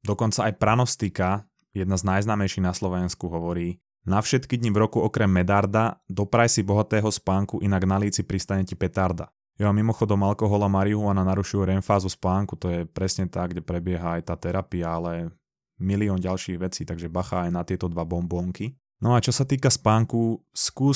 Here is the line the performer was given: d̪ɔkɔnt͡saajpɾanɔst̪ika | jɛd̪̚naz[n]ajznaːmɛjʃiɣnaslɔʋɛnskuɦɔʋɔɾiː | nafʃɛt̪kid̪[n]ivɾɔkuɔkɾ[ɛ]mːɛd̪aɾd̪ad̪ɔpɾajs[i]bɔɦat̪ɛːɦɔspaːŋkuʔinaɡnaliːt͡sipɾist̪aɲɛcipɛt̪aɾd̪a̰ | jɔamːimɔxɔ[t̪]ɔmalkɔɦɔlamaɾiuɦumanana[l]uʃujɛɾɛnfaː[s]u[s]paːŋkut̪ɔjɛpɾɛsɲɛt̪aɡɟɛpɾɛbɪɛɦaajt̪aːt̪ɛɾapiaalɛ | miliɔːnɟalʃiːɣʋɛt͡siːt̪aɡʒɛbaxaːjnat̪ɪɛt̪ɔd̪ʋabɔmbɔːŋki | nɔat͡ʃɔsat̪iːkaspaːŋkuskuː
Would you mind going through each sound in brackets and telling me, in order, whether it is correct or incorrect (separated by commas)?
correct, incorrect, correct, correct, incorrect, incorrect, incorrect, correct